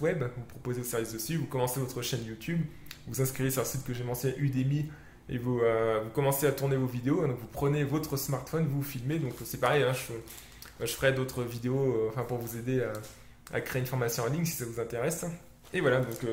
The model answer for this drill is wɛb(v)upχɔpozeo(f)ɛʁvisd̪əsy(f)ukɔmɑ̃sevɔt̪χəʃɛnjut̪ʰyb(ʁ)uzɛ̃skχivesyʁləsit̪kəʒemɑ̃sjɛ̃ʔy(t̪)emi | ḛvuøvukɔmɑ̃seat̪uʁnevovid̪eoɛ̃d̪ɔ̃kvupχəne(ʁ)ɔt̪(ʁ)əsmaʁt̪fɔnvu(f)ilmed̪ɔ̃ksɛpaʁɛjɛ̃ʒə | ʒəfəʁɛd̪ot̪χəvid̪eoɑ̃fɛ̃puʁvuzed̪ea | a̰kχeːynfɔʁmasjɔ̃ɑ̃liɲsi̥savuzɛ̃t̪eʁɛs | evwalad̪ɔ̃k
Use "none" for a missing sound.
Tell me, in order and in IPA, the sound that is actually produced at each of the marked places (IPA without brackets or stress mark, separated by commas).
v, s, v, v, d̪, v, χ, f